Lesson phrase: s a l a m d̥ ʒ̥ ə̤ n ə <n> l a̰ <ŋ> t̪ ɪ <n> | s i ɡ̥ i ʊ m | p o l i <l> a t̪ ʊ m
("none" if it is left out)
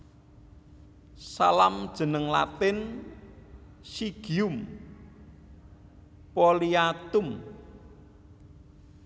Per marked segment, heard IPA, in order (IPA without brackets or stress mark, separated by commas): ŋ, none, n, none